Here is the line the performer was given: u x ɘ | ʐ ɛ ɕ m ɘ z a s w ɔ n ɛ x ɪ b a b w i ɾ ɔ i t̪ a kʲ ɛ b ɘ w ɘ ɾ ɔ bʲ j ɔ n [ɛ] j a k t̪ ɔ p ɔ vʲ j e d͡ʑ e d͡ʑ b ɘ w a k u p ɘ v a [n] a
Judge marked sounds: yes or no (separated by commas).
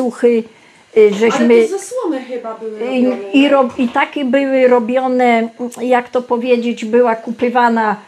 yes, yes